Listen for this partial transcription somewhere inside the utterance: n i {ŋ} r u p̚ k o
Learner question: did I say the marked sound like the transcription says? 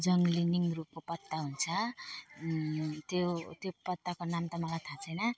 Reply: yes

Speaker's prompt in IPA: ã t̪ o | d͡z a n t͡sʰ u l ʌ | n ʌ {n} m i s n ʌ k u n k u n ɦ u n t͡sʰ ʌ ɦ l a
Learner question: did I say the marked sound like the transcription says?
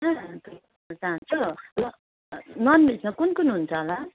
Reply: yes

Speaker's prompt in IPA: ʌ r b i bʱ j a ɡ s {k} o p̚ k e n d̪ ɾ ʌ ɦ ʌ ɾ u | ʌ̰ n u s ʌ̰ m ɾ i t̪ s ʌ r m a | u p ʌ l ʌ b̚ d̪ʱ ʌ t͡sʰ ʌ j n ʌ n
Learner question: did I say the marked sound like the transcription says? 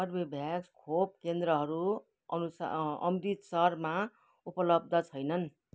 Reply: no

